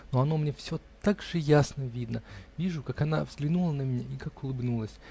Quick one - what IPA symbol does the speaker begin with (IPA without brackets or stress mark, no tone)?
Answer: n